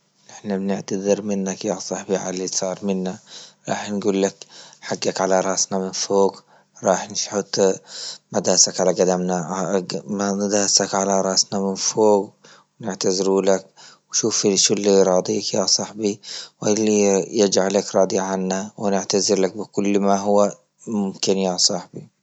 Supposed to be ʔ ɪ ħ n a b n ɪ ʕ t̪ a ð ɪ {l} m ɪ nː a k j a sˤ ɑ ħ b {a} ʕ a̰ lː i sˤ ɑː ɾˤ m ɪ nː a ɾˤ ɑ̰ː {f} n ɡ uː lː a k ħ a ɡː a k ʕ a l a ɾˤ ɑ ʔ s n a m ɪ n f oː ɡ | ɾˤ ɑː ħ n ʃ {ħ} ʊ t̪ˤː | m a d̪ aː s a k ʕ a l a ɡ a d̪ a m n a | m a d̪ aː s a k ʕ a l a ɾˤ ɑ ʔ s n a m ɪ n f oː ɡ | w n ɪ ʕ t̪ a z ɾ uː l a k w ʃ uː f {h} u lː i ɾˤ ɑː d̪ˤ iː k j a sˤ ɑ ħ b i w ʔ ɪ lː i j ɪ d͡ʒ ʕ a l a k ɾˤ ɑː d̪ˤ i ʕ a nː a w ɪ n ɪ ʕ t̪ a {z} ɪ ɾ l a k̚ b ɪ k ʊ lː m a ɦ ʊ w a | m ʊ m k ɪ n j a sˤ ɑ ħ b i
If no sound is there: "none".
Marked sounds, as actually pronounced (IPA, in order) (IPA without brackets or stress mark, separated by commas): ɾ, i, ħ, ħ, ʃ, z